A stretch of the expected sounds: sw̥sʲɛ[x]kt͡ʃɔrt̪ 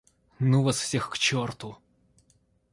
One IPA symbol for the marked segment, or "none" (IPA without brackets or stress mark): x